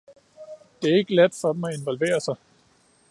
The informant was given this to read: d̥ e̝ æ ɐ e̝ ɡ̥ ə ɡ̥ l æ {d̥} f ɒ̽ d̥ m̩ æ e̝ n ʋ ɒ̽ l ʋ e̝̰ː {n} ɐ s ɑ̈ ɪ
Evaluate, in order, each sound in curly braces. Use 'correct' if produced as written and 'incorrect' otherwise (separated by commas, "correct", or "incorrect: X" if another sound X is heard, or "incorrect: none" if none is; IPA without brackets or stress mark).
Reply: correct, incorrect: none